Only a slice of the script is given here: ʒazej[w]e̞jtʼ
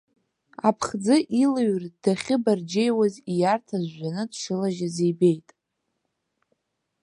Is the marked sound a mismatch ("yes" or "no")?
yes